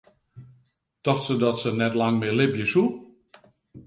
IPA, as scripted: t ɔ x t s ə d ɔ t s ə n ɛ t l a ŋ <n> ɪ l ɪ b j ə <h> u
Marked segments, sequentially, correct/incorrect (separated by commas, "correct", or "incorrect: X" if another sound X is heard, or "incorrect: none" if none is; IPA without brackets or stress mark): incorrect: m, incorrect: s